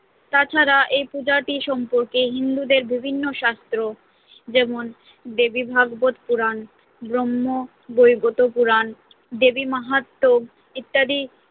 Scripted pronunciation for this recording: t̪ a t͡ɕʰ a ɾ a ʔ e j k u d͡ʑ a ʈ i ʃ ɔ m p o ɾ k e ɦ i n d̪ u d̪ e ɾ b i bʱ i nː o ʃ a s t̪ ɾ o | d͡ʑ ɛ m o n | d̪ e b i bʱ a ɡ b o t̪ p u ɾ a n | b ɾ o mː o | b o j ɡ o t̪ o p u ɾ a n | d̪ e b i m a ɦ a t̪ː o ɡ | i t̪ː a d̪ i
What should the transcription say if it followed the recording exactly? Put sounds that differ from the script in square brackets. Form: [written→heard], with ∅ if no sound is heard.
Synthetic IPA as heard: t̪ a t͡ɕʰ a ɾ a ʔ e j [k→p] u d͡ʑ a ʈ i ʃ ɔ m p o ɾ k e ɦ i n d̪ u d̪ e ɾ b i bʱ i nː o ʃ a s t̪ ɾ o | d͡ʑ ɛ m o n | d̪ e b i bʱ a ɡ b o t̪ p u ɾ a n | b ɾ o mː o | b o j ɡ o t̪ o p u ɾ a n | d̪ e b i m a ɦ a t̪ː o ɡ | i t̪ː a d̪ i